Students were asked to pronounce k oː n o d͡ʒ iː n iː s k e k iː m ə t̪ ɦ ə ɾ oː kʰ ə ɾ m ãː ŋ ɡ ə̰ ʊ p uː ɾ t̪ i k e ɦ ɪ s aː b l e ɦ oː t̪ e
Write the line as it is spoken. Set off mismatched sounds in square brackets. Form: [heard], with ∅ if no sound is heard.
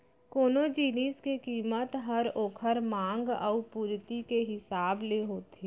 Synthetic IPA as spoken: k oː n o d͡ʒ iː n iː s k e k iː m ə t̪ ɦ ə ɾ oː kʰ ə ɾ m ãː ŋ ɡ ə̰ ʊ p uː ɾ t̪ i k e ɦ ɪ s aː b l e ɦ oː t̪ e

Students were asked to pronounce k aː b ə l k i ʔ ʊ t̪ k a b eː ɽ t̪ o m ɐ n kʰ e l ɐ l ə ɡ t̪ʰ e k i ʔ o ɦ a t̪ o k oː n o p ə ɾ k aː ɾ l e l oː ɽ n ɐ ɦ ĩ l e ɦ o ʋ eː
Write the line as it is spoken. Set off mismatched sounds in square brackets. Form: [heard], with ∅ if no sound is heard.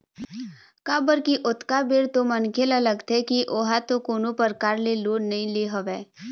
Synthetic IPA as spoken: k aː b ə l k i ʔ ʊ t̪ k a b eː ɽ t̪ o m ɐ n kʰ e l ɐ l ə ɡ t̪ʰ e k i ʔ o ɦ a t̪ o k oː n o p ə ɾ k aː ɾ l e l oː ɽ n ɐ ɦ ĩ l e ɦ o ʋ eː

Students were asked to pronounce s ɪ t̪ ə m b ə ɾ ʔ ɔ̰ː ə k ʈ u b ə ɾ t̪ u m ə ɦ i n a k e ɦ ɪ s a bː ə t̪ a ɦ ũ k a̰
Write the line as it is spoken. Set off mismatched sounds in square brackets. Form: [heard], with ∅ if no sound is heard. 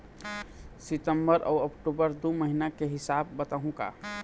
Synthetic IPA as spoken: s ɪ t̪ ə m b ə ɾ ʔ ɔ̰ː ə k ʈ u b ə ɾ [d̪] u m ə ɦ i n a k e ɦ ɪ s a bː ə t̪ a ɦ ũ k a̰

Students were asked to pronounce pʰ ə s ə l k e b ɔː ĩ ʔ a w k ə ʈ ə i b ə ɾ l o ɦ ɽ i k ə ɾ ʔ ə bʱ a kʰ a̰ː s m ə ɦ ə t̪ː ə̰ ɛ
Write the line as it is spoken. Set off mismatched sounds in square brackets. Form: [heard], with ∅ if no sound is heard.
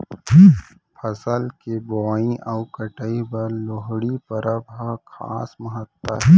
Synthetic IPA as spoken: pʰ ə s ə l k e b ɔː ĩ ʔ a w k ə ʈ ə i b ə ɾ l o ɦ ɽ i [p] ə ɾ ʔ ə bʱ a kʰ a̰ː s m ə ɦ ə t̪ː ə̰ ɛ

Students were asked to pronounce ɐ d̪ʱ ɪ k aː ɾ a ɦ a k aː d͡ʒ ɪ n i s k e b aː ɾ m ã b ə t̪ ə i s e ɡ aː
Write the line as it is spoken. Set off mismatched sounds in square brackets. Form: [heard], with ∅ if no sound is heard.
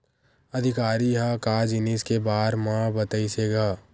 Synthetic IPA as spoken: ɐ d̪ʱ ɪ k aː ɾ [i] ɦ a k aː d͡ʒ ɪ n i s k e b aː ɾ m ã b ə t̪ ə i s e ɡ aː

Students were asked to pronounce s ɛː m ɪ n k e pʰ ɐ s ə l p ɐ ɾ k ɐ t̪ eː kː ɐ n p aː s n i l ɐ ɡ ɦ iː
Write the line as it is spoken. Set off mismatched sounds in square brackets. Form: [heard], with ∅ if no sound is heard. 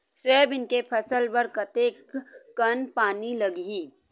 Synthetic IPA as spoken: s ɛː [b] ɪ n k e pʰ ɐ s ə l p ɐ ɾ k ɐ t̪ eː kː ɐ n p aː [∅] n i l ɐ ɡ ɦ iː

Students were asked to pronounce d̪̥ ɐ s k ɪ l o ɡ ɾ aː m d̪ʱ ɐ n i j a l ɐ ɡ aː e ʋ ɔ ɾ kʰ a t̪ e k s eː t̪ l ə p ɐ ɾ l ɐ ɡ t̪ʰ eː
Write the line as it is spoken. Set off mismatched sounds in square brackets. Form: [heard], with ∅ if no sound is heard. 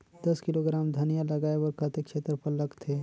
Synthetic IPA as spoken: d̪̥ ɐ s k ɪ l o ɡ ɾ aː m d̪ʱ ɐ n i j a l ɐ ɡ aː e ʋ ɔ ɾ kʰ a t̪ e k [ʃ] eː t̪ [ɾ] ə p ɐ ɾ l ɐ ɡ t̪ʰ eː

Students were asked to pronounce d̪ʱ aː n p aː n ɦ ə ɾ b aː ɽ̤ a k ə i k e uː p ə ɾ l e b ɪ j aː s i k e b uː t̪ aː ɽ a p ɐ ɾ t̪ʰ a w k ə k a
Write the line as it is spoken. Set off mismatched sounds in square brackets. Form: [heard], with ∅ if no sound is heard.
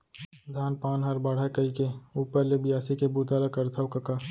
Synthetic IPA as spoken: d̪ʱ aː n p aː n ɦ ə ɾ b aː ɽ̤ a k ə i k e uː p ə ɾ l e b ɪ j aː s i k e b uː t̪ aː [l] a [k] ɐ ɾ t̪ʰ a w k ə k a

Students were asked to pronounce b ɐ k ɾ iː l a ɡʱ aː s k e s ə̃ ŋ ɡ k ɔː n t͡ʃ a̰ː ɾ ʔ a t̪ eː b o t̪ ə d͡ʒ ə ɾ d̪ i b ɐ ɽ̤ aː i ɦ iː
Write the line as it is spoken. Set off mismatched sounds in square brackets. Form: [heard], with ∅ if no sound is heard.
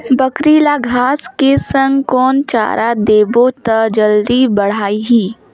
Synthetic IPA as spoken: b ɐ k ɾ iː l a ɡʱ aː s k e s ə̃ ŋ ɡ k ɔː n t͡ʃ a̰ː ɾ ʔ a [d̪] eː b o t̪ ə d͡ʒ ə [l] d̪ i b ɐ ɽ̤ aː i ɦ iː

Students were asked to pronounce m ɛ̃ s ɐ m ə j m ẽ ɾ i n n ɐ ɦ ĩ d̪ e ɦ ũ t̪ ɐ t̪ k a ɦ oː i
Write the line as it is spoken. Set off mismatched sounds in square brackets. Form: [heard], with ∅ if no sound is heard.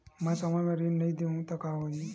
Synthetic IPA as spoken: m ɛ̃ s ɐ m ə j m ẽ ɾ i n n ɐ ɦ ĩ d̪ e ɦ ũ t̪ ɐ [∅] k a ɦ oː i

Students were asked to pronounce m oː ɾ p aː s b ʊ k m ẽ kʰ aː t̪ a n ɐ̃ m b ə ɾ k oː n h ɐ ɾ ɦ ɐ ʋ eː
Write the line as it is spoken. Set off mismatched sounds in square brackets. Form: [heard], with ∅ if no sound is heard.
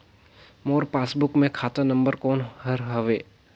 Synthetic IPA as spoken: m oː ɾ p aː s b ʊ k m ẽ kʰ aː t̪ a n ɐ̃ m b ə ɾ k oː n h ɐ ɾ ɦ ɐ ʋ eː

